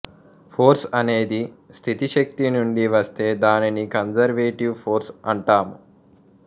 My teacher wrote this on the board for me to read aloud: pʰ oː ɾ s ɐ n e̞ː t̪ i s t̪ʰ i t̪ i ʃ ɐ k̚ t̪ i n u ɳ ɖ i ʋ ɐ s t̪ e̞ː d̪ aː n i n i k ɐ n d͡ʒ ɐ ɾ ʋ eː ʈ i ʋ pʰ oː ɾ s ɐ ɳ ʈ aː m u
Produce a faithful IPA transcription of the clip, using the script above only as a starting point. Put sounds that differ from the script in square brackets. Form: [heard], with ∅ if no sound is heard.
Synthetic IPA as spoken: pʰ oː ɾ s ɐ n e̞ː [d̪] i s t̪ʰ i t̪ i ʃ ɐ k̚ t̪ i n u ɳ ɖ i ʋ ɐ s t̪ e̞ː d̪ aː n i n i k ɐ n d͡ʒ ɐ ɾ ʋ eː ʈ i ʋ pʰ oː ɾ s ɐ ɳ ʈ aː m u